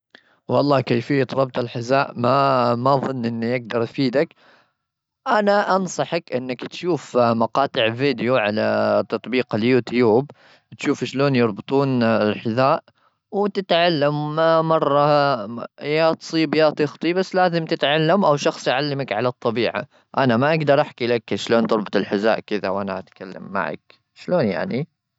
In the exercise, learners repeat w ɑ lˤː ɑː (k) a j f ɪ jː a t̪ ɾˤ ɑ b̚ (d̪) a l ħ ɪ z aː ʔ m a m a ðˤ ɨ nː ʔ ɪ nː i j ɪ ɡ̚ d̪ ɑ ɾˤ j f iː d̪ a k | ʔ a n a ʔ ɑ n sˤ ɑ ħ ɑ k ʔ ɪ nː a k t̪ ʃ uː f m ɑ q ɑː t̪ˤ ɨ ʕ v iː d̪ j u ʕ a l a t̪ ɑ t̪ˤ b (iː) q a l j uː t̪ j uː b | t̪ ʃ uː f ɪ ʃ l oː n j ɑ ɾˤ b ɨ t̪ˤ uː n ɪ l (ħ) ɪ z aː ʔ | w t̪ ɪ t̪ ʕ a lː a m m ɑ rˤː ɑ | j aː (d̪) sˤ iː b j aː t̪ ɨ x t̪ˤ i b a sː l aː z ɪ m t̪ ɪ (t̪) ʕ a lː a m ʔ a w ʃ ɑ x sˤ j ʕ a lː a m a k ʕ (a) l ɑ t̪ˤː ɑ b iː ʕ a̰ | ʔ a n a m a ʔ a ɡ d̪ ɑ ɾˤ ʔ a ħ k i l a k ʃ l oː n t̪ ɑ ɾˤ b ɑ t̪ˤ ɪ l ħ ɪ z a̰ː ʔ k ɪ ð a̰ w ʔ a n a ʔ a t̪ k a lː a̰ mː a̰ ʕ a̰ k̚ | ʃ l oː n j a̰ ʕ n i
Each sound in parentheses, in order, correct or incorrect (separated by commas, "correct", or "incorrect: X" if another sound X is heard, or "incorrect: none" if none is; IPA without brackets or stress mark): correct, incorrect: t̪, correct, correct, incorrect: t̪, correct, correct